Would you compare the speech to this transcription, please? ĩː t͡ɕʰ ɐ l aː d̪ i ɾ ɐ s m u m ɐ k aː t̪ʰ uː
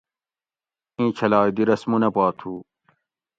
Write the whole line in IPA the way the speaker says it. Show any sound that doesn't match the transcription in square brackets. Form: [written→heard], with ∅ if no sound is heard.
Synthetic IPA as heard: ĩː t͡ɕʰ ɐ l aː d̪ i ɾ ɐ s m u [m→n] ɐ [k→p] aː t̪ʰ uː

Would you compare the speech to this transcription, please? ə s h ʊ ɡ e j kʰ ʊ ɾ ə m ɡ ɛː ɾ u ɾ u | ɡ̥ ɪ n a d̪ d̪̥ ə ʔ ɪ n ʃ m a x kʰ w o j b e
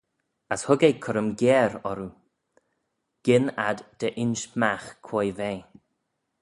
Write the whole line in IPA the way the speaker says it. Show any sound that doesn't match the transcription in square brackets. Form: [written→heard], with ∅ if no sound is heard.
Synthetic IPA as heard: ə s h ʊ ɡ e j kʰ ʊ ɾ ə m ɡ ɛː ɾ [u→ɔ] ɾ u | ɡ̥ ɪ n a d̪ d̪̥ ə ʔ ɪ n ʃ m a x kʰ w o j [b→v] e

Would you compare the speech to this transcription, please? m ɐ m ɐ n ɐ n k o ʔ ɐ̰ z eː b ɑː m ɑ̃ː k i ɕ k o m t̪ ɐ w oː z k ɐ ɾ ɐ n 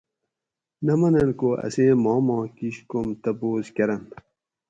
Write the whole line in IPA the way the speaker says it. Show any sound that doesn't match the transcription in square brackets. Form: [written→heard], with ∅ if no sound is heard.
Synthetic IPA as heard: [m→n] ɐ m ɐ n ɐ n k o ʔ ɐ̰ [z→s] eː [b→m] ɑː m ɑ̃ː k i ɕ k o m t̪ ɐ [w→b] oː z k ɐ ɾ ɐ n

